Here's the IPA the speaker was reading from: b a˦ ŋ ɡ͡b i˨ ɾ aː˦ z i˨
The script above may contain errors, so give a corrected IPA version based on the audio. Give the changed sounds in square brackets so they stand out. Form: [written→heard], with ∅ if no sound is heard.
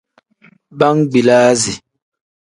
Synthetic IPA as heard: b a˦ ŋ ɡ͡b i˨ [ɾ→l] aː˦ z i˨